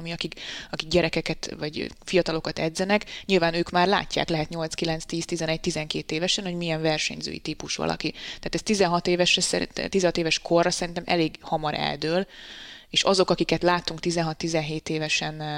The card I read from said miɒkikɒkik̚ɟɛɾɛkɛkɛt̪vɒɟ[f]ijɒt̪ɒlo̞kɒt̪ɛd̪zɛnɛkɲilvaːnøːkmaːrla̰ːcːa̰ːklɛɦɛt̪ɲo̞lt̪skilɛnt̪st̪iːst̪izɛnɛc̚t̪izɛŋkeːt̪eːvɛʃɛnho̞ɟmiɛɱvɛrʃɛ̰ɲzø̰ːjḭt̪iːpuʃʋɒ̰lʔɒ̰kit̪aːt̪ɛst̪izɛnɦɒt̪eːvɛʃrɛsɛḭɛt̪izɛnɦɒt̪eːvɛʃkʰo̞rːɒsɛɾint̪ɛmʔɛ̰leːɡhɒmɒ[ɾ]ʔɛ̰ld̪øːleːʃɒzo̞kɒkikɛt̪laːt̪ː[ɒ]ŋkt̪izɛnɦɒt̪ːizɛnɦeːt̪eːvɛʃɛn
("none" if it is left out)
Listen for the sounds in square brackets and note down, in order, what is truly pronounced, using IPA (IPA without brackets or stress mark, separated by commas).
f, ɾ, u